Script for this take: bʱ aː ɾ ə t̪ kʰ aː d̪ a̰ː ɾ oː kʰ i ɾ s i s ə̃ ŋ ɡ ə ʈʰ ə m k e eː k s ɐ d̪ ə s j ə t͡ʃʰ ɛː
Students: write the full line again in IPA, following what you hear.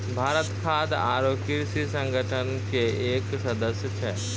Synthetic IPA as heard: bʱ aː ɾ ə t̪ kʰ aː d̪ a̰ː ɾ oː k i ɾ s i s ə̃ ŋ ɡ ə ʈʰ ə n k e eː k s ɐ d̪ ə s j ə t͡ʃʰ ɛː